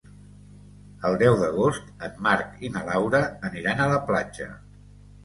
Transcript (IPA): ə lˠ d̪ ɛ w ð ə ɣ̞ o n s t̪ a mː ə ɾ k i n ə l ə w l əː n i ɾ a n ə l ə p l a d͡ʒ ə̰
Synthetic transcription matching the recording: ə lˠ d̪ ɛ w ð ə ɣ̞ o s t̪ ə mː a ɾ k i n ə l a w ɾ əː n i ɾ a n ə l ə p l a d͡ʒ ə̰